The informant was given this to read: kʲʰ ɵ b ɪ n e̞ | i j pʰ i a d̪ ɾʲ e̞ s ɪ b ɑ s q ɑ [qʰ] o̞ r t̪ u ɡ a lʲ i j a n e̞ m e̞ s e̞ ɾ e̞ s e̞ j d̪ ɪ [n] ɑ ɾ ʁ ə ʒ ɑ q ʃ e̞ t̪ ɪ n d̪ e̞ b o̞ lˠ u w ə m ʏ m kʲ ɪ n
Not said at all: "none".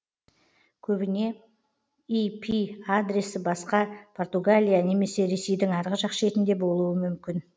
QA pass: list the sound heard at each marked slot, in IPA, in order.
pʰ, ŋ

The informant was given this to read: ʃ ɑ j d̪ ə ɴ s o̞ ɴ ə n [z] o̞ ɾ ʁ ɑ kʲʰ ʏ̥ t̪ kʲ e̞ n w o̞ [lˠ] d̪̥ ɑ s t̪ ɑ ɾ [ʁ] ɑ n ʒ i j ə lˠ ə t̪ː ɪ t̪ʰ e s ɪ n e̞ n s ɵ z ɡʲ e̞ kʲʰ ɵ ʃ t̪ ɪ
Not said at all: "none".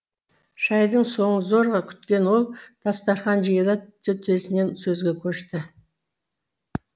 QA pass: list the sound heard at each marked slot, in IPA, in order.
z, lˠ, χ

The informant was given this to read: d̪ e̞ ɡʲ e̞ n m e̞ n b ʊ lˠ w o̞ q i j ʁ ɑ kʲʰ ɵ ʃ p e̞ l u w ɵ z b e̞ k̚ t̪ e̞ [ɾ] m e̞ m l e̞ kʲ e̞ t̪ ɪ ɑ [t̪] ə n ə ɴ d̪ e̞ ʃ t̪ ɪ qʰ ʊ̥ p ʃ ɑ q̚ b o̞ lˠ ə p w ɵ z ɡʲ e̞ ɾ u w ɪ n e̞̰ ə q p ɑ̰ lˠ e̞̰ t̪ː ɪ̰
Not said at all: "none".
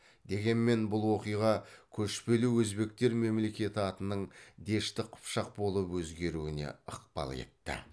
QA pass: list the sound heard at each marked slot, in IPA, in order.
ɾ, t̪

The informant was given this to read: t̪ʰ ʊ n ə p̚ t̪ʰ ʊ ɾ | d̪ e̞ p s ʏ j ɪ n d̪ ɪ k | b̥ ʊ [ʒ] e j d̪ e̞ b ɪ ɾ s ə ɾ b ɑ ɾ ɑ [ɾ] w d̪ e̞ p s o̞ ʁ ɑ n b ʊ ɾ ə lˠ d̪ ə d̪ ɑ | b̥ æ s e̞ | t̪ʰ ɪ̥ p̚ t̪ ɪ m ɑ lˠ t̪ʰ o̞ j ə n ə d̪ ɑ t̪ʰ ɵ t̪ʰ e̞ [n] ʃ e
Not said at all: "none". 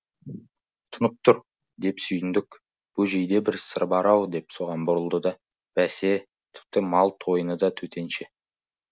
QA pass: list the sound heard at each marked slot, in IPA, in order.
ʒ, none, n

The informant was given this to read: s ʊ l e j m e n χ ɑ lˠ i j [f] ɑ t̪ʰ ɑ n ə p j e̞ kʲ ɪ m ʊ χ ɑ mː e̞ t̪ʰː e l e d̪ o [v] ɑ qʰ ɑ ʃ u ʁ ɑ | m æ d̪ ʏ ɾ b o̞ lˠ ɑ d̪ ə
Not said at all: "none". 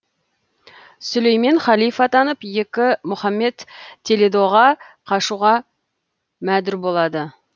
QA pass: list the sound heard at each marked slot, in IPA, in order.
f, ʁ

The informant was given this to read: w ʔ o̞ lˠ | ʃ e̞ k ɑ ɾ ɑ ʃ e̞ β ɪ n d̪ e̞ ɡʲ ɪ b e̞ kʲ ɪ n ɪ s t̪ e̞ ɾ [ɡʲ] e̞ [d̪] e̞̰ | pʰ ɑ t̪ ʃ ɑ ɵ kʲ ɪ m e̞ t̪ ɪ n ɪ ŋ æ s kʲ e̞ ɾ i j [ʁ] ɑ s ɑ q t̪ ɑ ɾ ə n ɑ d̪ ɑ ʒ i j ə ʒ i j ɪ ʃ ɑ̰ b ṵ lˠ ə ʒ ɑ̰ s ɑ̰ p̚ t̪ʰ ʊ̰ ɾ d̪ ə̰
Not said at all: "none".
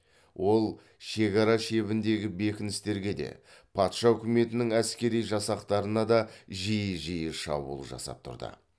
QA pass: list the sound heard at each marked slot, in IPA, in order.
ɡʲ, d̪, ʒ

